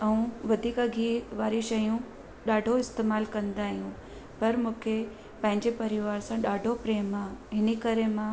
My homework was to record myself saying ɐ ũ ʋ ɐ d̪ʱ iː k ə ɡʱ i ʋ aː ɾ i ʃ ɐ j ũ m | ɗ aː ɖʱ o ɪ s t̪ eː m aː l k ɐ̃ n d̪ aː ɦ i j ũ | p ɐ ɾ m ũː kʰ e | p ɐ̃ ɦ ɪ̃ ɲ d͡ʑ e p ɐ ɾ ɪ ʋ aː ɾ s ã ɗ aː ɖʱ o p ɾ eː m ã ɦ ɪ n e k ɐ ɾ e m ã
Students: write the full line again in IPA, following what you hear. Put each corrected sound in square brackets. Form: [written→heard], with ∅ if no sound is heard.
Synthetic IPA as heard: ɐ ũ ʋ ɐ d̪ʱ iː k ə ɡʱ i ʋ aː ɾ i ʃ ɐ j ũ [m→∅] | ɗ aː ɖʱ o ɪ s t̪ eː m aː l k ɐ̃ n d̪ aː ɦ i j ũ | p ɐ ɾ m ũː kʰ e | p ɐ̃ ɦ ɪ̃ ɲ d͡ʑ e p ɐ ɾ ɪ ʋ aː ɾ s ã ɗ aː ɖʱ o p ɾ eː m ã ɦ ɪ n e k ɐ ɾ e m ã